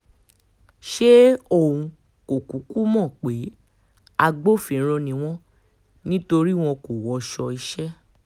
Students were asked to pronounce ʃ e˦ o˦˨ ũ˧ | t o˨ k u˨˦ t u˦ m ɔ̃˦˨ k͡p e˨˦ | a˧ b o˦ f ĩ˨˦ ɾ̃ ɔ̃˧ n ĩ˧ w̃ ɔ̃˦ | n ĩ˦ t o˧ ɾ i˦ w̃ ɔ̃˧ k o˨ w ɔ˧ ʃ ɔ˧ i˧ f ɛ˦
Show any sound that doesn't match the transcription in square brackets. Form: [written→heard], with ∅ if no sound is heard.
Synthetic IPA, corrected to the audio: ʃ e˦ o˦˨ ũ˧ | [t→k] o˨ k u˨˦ [t→k] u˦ m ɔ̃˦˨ k͡p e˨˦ | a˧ [b→ɡ͡b] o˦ f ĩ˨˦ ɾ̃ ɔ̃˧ n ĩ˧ w̃ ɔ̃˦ | n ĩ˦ t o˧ ɾ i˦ w̃ ɔ̃˧ k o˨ w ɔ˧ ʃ ɔ˧ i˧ [f→ʃ] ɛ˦